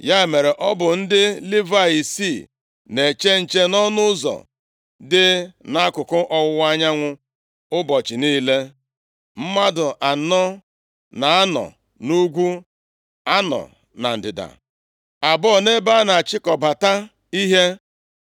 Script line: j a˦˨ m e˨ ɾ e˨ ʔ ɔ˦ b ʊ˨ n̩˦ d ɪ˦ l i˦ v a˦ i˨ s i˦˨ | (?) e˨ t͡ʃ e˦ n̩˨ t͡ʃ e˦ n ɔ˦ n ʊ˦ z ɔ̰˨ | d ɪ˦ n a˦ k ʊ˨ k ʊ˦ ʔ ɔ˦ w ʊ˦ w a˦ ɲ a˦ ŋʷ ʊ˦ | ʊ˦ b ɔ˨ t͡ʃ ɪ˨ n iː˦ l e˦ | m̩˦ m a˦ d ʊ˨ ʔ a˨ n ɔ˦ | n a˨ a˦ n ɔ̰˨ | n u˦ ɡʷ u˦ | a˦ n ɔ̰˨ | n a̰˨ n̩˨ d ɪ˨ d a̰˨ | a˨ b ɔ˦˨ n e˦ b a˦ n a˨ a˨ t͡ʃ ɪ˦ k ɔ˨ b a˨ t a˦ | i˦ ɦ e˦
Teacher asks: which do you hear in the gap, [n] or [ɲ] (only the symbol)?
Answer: n